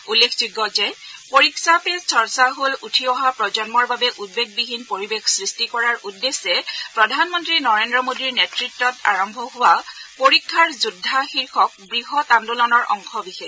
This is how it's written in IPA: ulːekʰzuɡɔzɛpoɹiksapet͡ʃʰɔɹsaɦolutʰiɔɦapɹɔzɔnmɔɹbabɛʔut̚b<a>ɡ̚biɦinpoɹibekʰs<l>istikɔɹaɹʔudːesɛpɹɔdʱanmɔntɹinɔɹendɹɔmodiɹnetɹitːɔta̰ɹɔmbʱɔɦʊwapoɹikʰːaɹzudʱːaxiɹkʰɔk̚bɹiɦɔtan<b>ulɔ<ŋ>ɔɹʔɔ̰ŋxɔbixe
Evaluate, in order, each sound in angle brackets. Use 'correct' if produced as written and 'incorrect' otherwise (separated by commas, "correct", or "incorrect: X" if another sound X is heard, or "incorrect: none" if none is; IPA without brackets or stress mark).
incorrect: e, incorrect: ɹ, incorrect: d, incorrect: n